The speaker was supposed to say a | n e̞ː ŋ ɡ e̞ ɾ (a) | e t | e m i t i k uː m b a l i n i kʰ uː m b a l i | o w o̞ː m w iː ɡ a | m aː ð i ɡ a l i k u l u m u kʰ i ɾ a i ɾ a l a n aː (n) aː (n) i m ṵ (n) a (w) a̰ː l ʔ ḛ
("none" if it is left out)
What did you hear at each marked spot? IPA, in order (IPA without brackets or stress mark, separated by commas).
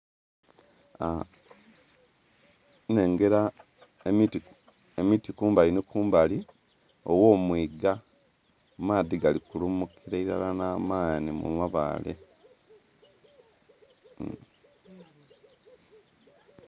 a, m, n, m, β